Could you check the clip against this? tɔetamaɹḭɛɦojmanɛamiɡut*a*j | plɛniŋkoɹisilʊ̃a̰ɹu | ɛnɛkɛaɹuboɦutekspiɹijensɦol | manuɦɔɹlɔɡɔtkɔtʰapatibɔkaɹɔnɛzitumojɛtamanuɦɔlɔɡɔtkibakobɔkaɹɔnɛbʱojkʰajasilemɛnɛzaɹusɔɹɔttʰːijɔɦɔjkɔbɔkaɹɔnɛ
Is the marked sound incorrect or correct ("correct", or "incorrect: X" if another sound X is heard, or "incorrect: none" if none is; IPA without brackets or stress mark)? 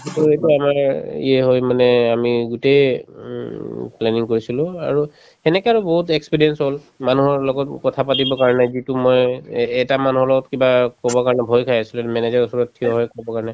incorrect: e